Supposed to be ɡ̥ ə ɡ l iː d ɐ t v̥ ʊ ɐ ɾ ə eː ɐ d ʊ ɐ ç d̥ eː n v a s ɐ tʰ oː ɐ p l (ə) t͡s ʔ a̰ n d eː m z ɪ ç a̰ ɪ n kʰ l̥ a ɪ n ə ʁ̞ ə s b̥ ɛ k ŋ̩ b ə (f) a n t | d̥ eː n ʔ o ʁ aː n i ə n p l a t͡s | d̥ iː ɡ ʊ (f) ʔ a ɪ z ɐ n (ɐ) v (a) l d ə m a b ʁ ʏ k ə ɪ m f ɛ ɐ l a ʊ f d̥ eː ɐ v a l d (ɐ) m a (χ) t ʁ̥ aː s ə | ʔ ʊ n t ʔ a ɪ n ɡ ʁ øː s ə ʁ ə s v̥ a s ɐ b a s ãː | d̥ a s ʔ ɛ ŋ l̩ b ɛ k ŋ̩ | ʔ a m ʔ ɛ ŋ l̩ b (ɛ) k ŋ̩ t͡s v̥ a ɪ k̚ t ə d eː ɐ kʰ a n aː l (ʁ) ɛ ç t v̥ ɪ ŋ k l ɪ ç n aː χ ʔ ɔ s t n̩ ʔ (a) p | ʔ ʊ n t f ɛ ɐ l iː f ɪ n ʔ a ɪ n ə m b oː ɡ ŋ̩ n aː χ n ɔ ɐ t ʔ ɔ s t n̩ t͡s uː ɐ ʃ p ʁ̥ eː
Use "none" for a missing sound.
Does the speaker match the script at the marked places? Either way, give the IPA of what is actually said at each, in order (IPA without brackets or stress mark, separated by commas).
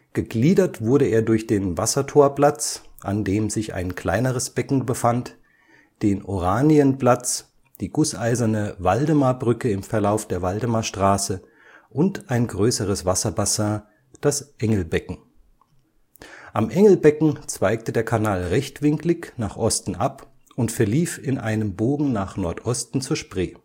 a, f, s, ə, a, ə, ʃ, ɛ, ʁ, a